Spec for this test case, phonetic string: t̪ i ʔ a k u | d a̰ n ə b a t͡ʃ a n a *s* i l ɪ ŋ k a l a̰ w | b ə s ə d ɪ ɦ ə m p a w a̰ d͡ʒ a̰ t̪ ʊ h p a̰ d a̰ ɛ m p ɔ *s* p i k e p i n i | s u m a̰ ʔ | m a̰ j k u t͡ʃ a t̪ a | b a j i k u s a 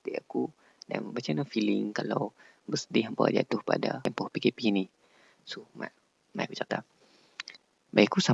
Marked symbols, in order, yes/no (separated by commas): no, no